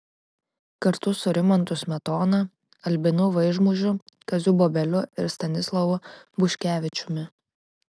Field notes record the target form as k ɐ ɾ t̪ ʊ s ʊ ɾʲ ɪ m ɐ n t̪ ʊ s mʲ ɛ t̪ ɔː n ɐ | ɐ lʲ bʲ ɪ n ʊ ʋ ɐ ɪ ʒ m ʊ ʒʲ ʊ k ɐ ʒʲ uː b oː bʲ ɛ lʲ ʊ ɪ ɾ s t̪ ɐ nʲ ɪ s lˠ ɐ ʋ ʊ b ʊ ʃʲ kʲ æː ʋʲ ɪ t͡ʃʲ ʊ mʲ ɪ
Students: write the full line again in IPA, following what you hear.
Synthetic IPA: k ɐ ɾ t̪ ʊ s ʊ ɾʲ ɪ m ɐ n t̪ ʊ s mʲ ɛ t̪ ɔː n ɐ | ɐ lʲ bʲ ɪ n ʊ ʋ ɐ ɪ ʒ m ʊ ʒʲ ʊ k ɐ zʲ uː b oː bʲ ɛ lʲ ʊ ɪ ɾ s t̪ ɐ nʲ ɪ s lˠ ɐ ʋ ʊ b ʊ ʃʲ kʲ æː ʋʲ ɪ t͡ʃʲ ʊ mʲ ɪ